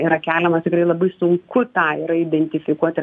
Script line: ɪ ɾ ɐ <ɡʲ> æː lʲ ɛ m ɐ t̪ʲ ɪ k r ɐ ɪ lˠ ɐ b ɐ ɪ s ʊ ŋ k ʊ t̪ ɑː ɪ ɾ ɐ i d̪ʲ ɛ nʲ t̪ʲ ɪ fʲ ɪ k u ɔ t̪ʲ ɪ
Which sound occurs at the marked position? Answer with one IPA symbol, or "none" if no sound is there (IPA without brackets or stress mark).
kʲ